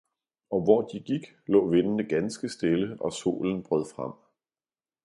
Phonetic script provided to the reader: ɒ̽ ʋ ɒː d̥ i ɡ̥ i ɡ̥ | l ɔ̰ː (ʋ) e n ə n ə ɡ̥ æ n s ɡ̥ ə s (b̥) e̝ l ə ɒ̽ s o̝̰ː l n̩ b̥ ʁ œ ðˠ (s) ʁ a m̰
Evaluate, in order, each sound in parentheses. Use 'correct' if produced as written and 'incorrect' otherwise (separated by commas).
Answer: correct, incorrect, incorrect